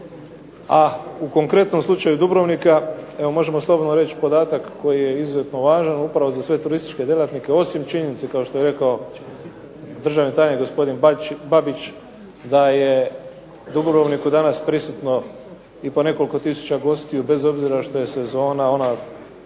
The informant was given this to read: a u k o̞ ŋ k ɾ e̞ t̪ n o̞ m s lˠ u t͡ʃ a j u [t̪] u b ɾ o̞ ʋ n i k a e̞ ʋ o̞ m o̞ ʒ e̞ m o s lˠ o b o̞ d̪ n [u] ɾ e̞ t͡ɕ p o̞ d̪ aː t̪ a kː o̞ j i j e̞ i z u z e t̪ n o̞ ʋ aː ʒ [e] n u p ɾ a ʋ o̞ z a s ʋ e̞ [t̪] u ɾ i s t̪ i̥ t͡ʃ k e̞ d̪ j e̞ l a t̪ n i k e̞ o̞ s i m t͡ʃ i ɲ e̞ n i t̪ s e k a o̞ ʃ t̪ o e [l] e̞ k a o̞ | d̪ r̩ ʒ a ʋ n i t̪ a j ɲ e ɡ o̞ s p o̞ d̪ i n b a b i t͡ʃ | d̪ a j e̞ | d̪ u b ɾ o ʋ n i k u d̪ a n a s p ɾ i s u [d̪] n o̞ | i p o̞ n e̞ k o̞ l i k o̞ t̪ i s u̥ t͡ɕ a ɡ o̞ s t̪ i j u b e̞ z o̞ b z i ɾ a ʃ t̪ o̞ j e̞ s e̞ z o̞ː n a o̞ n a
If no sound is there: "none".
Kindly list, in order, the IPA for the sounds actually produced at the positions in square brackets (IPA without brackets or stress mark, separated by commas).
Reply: d̪, o, a, t̪, ɾ, t̪